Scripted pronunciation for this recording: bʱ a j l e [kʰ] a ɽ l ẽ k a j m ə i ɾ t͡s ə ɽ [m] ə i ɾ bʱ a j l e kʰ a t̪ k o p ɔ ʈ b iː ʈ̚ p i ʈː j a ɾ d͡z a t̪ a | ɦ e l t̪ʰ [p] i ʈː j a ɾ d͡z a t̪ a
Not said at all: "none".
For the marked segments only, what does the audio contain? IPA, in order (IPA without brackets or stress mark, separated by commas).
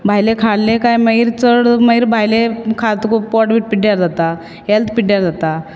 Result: kʰ, m, p